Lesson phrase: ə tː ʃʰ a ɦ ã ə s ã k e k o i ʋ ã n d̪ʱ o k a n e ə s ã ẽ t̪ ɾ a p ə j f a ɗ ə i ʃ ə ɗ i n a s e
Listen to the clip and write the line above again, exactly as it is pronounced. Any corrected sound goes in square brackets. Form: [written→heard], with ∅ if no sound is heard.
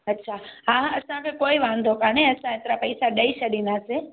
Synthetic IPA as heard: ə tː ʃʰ a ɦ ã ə s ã k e k o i ʋ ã n d̪ʱ o k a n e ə s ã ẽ t̪ ɾ a p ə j [f→s] a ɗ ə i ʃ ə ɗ i n a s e